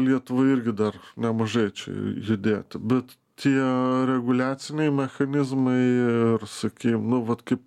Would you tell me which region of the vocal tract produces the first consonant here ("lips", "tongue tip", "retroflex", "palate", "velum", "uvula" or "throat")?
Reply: tongue tip